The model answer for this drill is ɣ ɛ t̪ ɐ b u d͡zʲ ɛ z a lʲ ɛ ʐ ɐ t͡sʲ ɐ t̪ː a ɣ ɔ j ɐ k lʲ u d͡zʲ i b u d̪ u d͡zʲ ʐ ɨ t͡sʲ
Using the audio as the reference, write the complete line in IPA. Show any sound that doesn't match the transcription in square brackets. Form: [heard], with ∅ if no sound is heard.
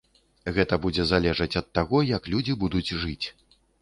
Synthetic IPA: ɣ ɛ t̪ ɐ b u d͡zʲ ɛ z a lʲ ɛ ʐ ɐ t͡sʲ ɐ t̪ː a ɣ ɔ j ɐ k lʲ u d͡zʲ i b u d̪ u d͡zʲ ʐ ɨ t͡sʲ